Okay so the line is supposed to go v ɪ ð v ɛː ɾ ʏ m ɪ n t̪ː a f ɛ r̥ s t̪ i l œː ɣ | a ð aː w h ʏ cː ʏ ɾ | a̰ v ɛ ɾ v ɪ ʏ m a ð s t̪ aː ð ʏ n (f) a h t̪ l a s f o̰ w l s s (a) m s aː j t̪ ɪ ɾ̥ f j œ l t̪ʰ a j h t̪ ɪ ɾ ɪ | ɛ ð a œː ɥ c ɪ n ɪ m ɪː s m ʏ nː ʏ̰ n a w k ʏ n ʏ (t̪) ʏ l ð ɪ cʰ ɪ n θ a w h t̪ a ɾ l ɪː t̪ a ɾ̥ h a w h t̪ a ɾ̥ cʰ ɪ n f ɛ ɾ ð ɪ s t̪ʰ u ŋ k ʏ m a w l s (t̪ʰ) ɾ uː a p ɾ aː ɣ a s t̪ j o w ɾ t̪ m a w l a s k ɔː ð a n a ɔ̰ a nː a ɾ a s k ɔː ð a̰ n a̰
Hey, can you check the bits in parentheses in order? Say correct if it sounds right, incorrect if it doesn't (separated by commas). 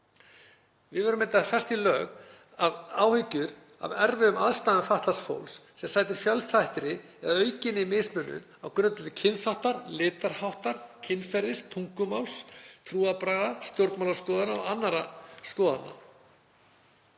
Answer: correct, incorrect, correct, correct